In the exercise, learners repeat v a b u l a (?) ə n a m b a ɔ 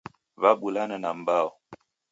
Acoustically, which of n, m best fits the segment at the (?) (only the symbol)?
n